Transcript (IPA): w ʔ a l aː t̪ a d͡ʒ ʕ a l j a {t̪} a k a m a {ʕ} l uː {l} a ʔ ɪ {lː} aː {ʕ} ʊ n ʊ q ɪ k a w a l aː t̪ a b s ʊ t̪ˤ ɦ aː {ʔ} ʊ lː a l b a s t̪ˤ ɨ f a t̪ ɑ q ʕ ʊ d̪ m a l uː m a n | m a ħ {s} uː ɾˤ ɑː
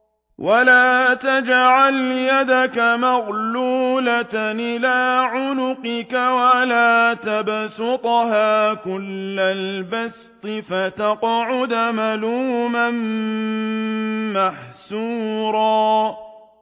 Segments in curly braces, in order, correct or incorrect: incorrect: d̪, incorrect: ɣ, correct, incorrect: l, correct, incorrect: k, correct

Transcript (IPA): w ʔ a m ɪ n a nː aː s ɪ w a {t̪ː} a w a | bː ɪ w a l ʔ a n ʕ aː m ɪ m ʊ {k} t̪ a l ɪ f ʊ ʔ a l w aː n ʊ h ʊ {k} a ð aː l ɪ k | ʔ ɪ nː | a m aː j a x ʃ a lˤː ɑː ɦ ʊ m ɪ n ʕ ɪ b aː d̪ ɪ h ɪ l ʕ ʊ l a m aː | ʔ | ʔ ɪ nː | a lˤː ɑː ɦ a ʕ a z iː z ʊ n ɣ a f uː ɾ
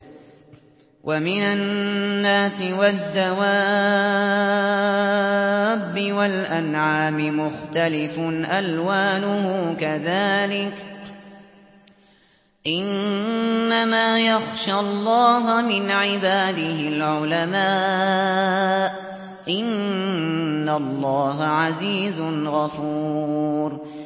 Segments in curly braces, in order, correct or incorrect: incorrect: d̪ː, incorrect: x, correct

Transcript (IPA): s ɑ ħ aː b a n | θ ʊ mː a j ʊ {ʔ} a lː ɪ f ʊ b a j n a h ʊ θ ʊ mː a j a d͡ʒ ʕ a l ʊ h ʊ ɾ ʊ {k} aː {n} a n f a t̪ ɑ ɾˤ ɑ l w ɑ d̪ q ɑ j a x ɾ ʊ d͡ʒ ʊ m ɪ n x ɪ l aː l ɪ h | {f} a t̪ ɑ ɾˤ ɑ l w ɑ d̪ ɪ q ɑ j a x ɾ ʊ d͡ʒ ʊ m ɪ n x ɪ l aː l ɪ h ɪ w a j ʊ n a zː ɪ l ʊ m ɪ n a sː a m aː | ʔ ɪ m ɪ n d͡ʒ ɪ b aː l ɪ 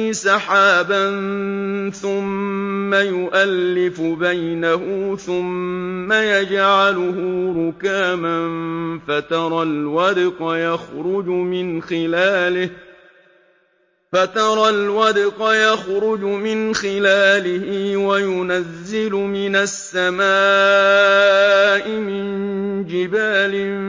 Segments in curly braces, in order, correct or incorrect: correct, correct, incorrect: m, correct

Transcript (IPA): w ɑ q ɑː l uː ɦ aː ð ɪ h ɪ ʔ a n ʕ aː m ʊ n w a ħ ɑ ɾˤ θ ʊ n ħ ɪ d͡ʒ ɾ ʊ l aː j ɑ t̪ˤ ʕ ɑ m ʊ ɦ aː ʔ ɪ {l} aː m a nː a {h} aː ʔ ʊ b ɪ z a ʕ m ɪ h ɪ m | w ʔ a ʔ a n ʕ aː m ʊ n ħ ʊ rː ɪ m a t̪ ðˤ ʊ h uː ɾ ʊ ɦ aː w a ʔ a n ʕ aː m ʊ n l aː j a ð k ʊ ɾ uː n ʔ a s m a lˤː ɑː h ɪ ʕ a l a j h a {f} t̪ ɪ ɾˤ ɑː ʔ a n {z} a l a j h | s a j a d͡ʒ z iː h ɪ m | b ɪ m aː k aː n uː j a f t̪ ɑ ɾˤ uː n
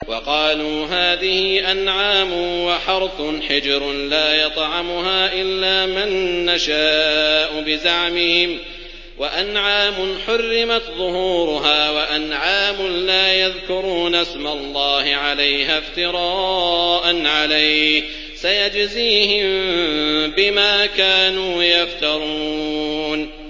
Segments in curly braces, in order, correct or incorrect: incorrect: lː, incorrect: ʃ, correct, incorrect: ʕ

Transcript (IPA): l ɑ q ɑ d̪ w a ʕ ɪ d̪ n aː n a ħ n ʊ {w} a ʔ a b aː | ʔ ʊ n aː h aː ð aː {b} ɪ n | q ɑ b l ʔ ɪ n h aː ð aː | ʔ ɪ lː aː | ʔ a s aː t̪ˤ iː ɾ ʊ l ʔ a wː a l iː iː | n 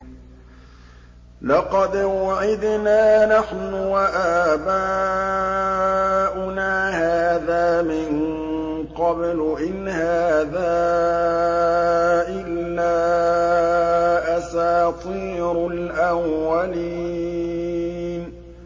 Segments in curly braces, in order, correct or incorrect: correct, incorrect: m

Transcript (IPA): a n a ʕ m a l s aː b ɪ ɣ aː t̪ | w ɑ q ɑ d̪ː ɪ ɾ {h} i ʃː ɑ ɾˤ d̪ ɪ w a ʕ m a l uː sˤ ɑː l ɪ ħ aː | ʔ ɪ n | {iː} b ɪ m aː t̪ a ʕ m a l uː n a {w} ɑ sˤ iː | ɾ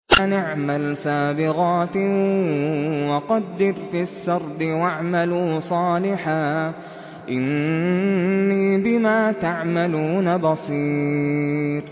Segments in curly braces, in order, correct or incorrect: incorrect: f, correct, incorrect: b

